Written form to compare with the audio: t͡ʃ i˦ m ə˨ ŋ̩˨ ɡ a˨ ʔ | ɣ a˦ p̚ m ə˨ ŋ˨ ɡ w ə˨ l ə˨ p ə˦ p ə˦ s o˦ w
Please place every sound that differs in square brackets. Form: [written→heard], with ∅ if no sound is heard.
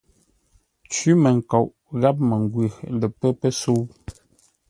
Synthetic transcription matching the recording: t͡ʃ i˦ m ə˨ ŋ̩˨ [ɡ→k] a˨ ʔ | ɣ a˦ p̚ m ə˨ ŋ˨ ɡ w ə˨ l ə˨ p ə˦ p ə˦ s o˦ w